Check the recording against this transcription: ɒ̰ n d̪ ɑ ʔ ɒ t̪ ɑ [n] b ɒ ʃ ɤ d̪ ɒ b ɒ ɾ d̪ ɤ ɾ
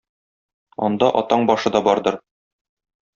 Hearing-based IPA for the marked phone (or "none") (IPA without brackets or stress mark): ɴ